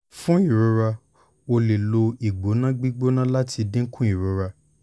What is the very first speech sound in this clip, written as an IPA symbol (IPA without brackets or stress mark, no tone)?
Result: f